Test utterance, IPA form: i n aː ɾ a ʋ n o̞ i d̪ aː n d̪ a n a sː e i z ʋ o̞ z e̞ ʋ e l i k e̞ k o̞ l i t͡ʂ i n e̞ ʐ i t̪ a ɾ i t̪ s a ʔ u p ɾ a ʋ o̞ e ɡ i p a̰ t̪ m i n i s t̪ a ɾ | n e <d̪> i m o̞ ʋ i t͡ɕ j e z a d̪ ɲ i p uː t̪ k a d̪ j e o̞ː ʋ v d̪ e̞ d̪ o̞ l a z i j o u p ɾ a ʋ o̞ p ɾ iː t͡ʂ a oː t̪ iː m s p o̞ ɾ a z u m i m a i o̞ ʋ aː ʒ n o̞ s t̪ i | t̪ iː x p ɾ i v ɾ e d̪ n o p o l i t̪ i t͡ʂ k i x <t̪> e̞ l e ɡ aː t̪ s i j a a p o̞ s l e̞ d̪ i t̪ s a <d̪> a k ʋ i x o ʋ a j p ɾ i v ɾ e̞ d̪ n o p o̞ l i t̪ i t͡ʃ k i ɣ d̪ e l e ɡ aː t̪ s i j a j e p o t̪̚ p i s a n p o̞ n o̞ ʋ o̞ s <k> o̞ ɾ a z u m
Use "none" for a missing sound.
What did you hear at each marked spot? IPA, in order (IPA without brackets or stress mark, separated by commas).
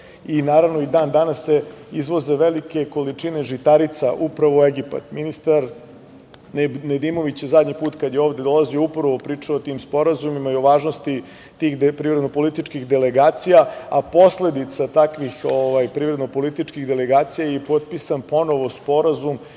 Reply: d̪, d̪, t̪, p